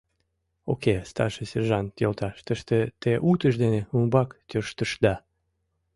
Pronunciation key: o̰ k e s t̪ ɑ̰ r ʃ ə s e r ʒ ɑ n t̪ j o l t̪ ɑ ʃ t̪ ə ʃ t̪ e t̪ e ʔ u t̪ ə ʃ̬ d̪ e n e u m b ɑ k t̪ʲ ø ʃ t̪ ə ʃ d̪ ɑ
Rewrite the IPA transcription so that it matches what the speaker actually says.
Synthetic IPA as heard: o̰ k e s t̪ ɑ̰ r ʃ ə s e r ʒ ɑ n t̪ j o l t̪ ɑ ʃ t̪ ə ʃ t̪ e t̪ e ʔ u t̪ ə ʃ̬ d̪ e n e u m b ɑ k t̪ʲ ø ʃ t̪ ə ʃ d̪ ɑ